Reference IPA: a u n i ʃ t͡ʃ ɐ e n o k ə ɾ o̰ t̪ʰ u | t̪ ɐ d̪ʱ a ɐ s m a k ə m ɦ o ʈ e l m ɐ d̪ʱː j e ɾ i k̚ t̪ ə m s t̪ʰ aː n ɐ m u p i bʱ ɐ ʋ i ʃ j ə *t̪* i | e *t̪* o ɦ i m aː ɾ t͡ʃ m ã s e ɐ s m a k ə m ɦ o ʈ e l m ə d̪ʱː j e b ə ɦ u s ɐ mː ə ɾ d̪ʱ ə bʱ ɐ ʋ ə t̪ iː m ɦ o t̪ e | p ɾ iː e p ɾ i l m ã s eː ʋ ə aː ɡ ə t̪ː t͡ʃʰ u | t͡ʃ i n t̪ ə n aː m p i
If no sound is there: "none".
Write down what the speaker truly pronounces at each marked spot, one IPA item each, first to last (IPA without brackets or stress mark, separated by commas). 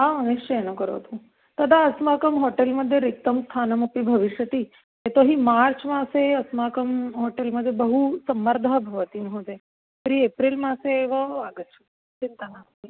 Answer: t̪, t̪